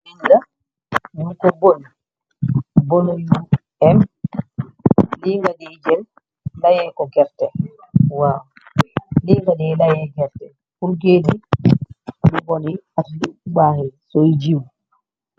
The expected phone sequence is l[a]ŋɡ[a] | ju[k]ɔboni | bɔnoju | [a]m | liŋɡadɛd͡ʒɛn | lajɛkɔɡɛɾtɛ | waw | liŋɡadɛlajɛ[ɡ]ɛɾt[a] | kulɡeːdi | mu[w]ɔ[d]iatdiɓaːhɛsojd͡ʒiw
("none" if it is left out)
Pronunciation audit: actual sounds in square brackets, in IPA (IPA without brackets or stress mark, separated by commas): i, a, k, ɛ, ɡ, ɛ, b, n